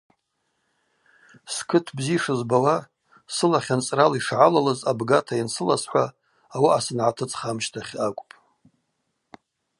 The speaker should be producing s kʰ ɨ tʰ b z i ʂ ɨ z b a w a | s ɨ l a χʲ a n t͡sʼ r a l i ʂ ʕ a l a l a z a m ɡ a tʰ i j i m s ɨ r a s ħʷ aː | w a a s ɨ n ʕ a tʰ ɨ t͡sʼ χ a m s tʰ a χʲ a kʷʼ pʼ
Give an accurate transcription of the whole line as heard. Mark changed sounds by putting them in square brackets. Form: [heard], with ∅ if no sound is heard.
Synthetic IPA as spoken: s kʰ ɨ tʰ b z i ʂ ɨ z b a w a | s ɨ l a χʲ a n t͡sʼ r a l i ʂ ʕ a l a l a z a [b] ɡ a tʰ [a] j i [n] s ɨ [l] a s ħʷ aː | w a a s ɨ n ʕ a tʰ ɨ t͡sʼ χ a m [ʃ] tʰ a χʲ a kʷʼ pʼ